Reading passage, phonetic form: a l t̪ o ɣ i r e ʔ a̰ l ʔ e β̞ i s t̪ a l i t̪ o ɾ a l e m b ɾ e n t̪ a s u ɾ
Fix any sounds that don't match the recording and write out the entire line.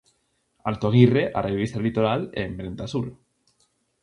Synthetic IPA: a l t̪ o ɣ i r e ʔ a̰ r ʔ e β̞ i s t̪ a l i t̪ o ɾ a l e m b ɾ e n t̪ a s u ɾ